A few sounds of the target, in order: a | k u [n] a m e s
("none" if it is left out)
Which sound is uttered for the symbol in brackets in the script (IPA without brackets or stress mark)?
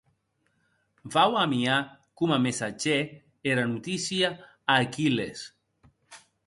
m